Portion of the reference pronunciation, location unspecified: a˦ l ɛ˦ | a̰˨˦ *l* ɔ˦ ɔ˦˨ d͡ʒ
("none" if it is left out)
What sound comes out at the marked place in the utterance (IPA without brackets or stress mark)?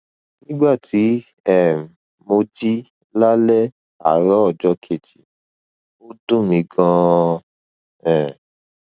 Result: ɾ